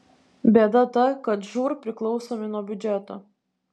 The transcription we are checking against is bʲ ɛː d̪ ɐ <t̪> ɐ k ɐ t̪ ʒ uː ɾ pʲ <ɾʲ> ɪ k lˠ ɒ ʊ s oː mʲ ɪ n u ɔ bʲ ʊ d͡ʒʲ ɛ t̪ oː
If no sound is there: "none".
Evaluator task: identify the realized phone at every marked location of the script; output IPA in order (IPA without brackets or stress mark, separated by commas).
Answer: t̪, ɾʲ